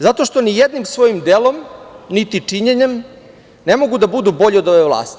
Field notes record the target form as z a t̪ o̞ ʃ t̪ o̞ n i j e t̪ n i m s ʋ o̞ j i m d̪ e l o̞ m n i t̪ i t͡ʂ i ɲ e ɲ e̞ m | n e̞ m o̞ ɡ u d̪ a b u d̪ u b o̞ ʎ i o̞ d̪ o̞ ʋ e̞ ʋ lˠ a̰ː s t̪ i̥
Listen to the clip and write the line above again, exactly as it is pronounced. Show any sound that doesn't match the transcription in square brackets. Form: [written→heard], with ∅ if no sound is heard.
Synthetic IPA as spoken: z a t̪ o̞ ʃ t̪ o̞ n i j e [t̪→d̪] n i m s ʋ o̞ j i m d̪ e l o̞ m n i t̪ i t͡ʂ i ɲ e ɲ e̞ m | n e̞ m o̞ ɡ u d̪ a b u d̪ u b o̞ ʎ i o̞ d̪ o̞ ʋ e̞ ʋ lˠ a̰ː s t̪ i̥